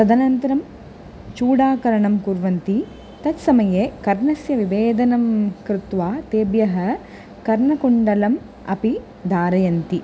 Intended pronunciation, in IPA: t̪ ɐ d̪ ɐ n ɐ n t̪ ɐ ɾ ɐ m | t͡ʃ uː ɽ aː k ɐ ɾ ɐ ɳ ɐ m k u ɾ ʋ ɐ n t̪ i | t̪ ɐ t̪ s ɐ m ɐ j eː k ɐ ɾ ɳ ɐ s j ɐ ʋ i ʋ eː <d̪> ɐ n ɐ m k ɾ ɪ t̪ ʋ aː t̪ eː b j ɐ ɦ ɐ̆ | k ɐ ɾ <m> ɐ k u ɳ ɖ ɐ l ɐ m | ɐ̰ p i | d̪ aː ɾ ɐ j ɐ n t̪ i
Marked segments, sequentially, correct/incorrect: correct, incorrect: ɳ

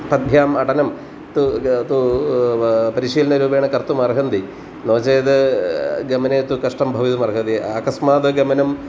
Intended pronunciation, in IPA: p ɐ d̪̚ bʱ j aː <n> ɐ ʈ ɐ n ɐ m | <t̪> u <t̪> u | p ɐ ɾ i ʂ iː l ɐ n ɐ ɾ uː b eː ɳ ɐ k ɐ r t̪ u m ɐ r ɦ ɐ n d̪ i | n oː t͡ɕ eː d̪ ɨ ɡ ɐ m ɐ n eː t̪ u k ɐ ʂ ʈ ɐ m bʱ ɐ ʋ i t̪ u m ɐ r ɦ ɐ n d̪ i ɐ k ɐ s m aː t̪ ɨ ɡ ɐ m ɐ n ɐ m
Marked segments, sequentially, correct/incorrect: incorrect: m, correct, correct

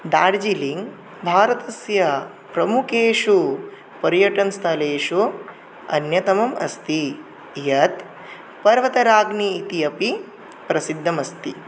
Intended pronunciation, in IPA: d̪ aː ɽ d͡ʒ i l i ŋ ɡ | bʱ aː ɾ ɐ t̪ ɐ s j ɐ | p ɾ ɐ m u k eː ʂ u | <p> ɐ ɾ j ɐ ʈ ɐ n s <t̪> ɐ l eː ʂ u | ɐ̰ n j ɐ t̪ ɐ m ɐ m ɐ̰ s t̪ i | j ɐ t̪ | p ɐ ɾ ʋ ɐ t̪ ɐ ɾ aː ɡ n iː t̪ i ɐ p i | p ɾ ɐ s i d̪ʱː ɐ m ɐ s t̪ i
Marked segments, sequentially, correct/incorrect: correct, incorrect: t̪ʰ

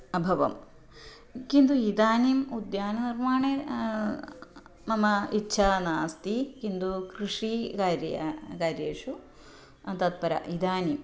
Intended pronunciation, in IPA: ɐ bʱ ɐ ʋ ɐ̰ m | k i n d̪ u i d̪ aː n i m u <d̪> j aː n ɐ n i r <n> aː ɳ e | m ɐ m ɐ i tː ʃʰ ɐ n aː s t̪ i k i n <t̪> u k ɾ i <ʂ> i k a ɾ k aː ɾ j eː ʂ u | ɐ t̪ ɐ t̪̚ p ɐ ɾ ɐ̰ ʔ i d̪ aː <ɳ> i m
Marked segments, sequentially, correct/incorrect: correct, incorrect: m, incorrect: d̪, correct, incorrect: n

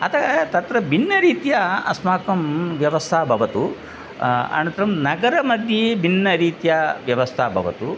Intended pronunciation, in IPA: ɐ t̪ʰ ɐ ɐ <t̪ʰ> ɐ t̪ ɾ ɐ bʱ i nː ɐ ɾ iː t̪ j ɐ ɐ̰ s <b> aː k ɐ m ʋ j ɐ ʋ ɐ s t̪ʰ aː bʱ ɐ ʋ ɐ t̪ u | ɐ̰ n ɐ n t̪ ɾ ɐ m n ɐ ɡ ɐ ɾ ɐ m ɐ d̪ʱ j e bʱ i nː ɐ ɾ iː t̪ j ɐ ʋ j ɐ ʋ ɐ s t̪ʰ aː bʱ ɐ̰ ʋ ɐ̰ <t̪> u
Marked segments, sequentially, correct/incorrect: incorrect: t̪, incorrect: m, correct

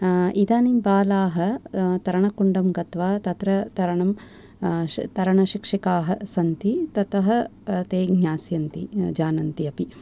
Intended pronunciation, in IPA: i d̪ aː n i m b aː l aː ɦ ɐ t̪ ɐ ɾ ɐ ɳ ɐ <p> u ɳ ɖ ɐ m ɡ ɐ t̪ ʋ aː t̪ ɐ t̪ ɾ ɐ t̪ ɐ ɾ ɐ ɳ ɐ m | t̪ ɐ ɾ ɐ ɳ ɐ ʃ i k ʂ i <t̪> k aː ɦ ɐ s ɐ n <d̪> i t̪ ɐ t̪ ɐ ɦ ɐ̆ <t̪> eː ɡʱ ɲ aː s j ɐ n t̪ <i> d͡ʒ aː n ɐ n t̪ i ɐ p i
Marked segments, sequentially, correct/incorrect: incorrect: k, incorrect: none, incorrect: t̪, correct, correct

